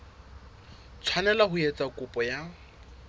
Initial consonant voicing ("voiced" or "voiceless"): voiceless